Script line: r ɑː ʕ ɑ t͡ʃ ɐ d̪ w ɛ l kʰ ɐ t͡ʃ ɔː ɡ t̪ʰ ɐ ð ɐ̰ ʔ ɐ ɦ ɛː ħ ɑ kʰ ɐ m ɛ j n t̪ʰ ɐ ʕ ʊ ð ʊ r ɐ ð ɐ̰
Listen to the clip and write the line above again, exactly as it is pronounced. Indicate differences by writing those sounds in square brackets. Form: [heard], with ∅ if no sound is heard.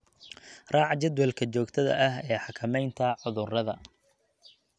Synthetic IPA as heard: r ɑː ʕ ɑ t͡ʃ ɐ d̪ w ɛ l kʰ ɐ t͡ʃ ɔː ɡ t̪ʰ ɐ ð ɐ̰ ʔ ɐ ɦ ɛː ħ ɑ kʰ ɐ m ɛ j n t̪ʰ ɐ ʕ ʊ ð ʊ r ɐ ð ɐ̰